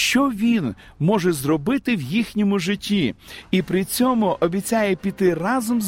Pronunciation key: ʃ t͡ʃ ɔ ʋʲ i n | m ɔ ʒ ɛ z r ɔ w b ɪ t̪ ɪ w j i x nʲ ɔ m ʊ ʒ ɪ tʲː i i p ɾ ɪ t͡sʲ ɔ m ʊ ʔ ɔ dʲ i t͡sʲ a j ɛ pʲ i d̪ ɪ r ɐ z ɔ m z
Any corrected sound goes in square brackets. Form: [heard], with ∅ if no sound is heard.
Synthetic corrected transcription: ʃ t͡ʃ ɔ ʋʲ i n | m ɔ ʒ ɛ z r ɔ [∅] b ɪ t̪ ɪ w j i x nʲ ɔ m ʊ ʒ ɪ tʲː i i p ɾ ɪ t͡sʲ ɔ m ʊ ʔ ɔ [bʲ] i t͡sʲ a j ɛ pʲ i [t̪] ɪ r [ɑ] z ɔ m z